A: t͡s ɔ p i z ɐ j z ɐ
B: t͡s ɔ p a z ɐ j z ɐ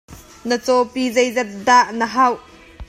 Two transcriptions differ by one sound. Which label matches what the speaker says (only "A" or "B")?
A